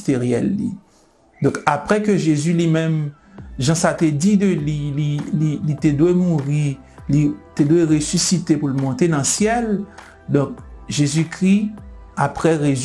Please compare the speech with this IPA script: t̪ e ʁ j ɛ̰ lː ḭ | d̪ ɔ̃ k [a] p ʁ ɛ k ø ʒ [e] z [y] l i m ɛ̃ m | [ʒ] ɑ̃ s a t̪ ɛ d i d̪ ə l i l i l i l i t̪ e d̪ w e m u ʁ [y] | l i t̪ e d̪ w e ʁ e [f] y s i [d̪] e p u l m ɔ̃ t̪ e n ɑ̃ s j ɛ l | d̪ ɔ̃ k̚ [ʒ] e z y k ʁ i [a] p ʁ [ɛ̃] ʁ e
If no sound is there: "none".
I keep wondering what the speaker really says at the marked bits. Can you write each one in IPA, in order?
a, e, y, ʒ, i, s, t̪, ʒ, a, ɛ

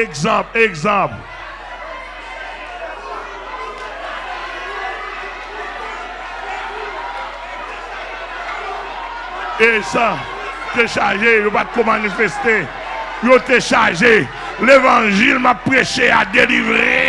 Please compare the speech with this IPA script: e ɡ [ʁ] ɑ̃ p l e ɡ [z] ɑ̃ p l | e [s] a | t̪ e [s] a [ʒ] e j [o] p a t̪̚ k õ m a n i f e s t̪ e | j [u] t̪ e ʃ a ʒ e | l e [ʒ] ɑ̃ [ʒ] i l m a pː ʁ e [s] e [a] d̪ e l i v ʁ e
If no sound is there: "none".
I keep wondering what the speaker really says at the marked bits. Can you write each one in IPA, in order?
z, z, s, ʃ, ʒ, o, o, v, ʒ, ʃ, a

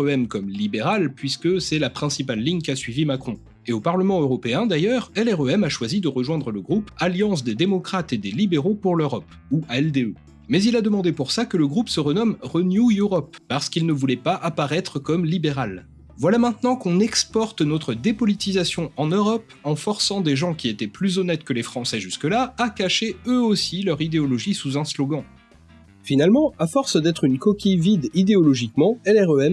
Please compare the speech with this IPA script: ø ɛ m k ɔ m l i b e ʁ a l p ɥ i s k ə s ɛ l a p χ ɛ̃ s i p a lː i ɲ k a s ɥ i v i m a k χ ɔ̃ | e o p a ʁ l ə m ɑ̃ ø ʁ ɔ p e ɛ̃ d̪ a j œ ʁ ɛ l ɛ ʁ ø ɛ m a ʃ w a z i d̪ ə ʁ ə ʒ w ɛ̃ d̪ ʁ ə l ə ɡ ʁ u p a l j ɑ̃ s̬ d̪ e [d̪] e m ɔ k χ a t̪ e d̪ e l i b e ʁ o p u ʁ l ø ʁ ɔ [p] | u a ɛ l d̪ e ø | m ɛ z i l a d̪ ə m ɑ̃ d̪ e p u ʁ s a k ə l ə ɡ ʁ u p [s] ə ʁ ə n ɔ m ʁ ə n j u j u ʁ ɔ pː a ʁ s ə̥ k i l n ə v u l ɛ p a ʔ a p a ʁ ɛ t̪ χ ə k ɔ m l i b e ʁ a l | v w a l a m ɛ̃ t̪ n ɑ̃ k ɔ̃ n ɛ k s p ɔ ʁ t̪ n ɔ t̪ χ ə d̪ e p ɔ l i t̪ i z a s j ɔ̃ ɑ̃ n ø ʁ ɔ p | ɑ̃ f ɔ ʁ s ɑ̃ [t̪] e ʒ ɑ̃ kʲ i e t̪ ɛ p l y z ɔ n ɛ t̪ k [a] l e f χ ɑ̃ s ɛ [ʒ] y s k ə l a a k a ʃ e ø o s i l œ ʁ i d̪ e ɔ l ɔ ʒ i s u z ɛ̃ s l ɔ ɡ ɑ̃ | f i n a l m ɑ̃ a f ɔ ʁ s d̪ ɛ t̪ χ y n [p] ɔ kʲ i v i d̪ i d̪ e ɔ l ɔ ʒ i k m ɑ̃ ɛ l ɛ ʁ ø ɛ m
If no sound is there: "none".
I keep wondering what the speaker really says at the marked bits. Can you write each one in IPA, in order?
d̪, p, s, d̪, ə, ʒ, k

